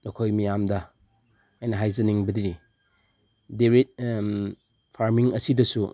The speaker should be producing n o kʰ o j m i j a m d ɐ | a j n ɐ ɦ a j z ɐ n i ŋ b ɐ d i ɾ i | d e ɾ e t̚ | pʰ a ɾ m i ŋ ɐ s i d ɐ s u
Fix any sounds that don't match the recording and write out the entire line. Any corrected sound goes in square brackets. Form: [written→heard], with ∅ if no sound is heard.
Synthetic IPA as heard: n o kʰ o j m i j a m d ɐ | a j n ɐ ɦ a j z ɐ n i ŋ b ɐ d i ɾ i | d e ɾ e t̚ | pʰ a ɾ m i ŋ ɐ s i d ɐ s u